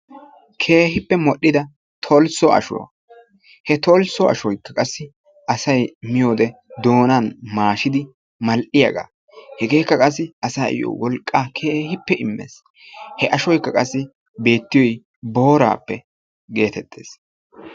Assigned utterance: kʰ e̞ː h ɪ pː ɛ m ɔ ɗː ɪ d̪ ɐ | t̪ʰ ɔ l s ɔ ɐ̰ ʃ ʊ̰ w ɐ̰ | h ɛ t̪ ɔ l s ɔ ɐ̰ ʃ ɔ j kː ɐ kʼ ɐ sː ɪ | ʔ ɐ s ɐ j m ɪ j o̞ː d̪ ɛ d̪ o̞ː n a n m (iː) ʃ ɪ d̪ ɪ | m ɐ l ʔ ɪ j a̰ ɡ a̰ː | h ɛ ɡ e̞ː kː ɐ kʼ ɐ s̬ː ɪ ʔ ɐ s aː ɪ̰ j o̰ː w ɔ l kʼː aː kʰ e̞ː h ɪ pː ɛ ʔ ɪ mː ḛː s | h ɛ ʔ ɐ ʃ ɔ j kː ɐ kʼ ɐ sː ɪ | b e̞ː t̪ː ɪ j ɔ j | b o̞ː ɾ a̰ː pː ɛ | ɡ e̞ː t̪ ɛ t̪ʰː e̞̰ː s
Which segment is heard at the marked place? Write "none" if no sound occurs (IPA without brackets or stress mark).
aː